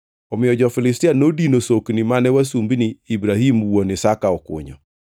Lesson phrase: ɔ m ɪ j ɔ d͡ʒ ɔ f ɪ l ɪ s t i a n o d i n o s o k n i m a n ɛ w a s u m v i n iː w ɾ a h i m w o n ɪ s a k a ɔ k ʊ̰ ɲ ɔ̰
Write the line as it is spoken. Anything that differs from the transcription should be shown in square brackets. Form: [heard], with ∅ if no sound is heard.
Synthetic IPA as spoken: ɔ m ɪ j ɔ d͡ʒ ɔ f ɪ l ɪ s t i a n o d i n o s o k n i m a n ɛ w a s u m [b] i n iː [b] ɾ a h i m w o n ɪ s a k a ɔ k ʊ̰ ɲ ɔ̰

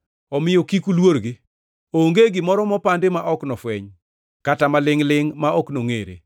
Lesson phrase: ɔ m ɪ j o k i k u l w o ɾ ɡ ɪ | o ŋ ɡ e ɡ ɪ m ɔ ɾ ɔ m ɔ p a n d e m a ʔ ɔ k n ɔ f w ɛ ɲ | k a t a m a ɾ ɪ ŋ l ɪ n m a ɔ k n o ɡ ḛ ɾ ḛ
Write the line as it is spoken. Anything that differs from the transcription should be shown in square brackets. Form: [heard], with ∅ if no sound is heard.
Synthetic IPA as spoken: ɔ m ɪ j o k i k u l w o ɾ ɡ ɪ | o ŋ ɡ e ɡ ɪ m ɔ ɾ ɔ m ɔ p a n d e m a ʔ ɔ k n ɔ f w ɛ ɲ | k a t a m a [l] ɪ ŋ l ɪ [ŋ] m a ɔ k n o [ŋ] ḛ ɾ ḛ

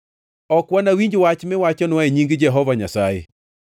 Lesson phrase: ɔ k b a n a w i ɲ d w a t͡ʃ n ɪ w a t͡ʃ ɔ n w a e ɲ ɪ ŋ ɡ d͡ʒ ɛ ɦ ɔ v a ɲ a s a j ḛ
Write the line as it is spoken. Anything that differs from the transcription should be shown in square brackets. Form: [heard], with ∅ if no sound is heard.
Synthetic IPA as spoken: ɔ k [w] a n a w i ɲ [d͡ʒ] w a t͡ʃ [m] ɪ w a t͡ʃ ɔ n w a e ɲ [i] ŋ ɡ d͡ʒ ɛ ɦ ɔ v a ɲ a s a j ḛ

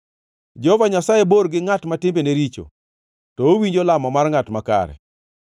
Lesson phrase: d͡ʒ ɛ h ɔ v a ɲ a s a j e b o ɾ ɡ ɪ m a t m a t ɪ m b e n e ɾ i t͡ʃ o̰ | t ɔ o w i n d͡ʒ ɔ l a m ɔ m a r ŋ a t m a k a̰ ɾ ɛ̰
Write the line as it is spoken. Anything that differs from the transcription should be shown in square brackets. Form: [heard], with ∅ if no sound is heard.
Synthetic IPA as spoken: d͡ʒ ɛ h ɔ v a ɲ a s a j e b o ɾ ɡ ɪ [ŋ] a t m a t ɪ m b e n e ɾ i t͡ʃ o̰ | t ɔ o w i [ɲ] d͡ʒ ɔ l a m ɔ m a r ŋ a t m a k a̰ ɾ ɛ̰

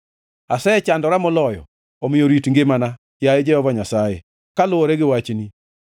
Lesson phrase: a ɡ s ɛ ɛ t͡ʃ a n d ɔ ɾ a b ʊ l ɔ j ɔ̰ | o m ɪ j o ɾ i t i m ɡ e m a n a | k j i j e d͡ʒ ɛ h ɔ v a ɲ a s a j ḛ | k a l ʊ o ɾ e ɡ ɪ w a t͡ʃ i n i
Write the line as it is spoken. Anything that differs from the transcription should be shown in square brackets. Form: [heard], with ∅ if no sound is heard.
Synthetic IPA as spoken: a [∅] s ɛ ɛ t͡ʃ a n d ɔ ɾ a [m] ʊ l ɔ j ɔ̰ | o m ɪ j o ɾ i t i [ŋ] ɡ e m a n a | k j [a] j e d͡ʒ ɛ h ɔ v a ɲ a s a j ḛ | k a l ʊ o ɾ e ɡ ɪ w a t͡ʃ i n i

